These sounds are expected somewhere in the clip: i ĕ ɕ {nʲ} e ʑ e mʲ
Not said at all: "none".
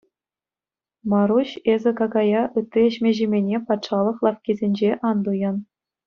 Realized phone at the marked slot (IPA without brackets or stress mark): mʲ